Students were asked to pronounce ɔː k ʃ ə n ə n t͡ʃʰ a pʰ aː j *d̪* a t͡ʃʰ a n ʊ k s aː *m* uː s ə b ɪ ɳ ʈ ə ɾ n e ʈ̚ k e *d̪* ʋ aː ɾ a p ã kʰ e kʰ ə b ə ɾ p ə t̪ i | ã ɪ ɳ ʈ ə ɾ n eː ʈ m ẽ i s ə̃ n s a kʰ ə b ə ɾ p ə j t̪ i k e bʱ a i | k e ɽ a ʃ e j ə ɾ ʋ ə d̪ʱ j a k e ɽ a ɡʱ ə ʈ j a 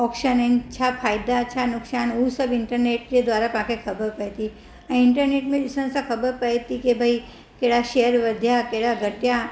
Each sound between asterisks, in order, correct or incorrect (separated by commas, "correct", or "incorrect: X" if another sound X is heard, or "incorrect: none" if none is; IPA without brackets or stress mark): correct, incorrect: n, correct